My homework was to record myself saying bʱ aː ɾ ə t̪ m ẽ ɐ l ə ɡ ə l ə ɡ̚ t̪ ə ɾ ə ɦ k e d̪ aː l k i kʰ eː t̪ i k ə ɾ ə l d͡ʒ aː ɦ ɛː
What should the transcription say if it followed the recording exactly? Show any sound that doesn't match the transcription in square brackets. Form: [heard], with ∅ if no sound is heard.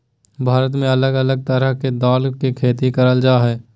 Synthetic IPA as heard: bʱ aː ɾ ə t̪ m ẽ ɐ l ə ɡ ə l ə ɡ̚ t̪ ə ɾ ə ɦ k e d̪ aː l k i kʰ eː t̪ i k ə ɾ ə l d͡ʒ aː ɦ ɛː